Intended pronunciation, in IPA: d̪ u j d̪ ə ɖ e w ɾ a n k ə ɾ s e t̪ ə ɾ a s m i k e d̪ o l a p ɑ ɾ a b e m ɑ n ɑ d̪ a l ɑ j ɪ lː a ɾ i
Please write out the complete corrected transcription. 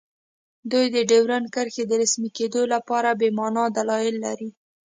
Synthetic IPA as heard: d̪ u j d̪ ə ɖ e w ɾ a n k ə ɾ x e d̪ ə ɾ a s m i k e d̪ o l a p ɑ ɾ a b e m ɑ n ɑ d̪ a l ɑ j ɪ lː a ɾ i